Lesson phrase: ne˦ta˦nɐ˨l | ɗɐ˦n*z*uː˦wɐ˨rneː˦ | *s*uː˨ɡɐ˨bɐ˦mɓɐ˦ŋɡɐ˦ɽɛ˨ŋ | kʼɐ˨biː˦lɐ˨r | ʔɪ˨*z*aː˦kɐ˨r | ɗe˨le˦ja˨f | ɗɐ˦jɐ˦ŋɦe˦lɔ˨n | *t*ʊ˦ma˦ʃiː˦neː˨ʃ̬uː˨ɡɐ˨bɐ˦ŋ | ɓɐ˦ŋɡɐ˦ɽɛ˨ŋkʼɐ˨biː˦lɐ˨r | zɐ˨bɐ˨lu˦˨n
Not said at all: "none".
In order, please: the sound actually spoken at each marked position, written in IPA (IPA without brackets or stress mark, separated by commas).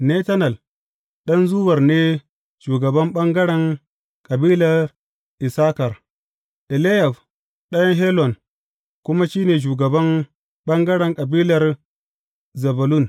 z, ʃ, s, k